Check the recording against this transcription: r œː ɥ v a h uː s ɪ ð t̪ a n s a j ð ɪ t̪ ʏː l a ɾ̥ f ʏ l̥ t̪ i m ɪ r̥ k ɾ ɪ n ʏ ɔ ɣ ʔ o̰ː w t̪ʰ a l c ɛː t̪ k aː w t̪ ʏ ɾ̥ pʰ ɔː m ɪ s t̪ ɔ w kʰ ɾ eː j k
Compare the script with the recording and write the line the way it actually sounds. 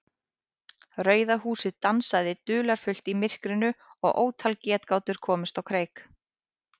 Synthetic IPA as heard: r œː ɥ ð a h uː s ɪ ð t̪ a n s a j ð ɪ t̪ ʏː l a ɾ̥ f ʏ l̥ t̪ i m ɪ r̥ k ɾ ɪ n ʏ ɔ ɣ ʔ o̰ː w t̪ʰ a l c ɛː t̪ k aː w t̪ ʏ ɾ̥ kʰ ɔː m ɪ s t̪ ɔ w kʰ ɾ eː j k

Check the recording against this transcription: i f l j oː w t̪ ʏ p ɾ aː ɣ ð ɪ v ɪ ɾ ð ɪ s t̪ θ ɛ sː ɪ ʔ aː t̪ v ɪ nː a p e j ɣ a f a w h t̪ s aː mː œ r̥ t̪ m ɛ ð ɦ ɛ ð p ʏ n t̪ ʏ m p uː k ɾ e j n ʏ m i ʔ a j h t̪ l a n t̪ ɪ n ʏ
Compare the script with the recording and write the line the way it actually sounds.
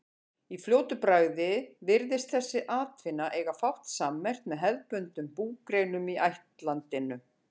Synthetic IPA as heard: i f l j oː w t̪ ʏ p ɾ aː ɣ ð ɪ v ɪ ɾ ð ɪ s t̪ θ ɛ sː ɪ ʔ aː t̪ v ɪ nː a ʔ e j ɣ a f a w h t̪ s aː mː ɛ r̥ t̪ m ɛ ð ɦ ɛ ð p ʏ n t̪ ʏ m p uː k ɾ e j n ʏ m i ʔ a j h t̪ l a n t̪ ɪ n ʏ

